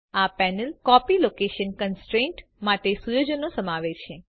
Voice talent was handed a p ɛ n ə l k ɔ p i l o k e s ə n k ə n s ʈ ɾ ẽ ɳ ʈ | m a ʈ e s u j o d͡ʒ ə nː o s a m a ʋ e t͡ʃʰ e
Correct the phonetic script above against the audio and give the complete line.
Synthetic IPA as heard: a p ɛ n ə l k ɔ p i l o k e ʃ ə n k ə n s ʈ ɾ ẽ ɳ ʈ | m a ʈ e s u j o d͡ʒ ə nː o s ə m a ʋ e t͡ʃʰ e